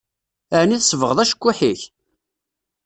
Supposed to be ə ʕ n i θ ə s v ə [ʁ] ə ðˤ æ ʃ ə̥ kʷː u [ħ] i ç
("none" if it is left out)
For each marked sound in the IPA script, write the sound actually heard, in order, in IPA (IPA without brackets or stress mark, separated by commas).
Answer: ʁ, ħ